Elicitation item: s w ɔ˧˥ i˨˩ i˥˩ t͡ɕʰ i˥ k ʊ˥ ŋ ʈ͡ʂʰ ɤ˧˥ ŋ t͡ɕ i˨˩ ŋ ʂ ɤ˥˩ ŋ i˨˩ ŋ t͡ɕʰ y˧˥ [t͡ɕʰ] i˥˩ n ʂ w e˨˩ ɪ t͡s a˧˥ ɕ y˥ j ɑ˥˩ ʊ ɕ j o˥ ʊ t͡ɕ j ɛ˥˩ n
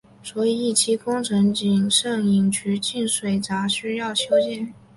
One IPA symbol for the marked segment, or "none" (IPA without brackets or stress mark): t͡ɕ